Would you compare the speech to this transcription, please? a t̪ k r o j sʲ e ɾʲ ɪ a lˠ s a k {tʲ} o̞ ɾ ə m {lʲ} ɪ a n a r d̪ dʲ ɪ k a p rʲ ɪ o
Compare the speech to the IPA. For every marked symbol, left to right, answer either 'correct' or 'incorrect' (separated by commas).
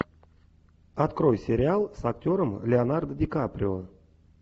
correct, correct